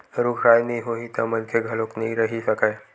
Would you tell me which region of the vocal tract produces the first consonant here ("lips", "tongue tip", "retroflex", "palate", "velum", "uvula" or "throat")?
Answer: tongue tip